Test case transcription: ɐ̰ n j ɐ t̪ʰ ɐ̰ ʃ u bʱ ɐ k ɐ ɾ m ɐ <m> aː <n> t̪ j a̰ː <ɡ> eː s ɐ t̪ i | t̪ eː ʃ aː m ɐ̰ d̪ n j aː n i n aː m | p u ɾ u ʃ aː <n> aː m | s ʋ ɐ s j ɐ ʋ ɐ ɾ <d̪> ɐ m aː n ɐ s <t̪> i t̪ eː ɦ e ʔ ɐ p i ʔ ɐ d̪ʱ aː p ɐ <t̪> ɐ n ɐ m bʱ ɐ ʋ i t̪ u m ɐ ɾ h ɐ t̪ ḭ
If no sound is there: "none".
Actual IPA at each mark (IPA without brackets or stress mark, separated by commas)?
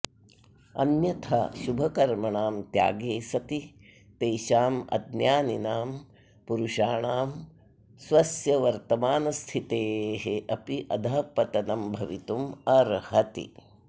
ɳ, m, ɡ, ɳ, t̪, t̪ʰ, t̪